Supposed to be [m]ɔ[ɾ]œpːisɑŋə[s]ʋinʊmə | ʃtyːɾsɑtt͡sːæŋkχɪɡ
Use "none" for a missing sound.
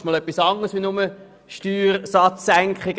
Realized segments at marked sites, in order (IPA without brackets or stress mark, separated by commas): m, l, s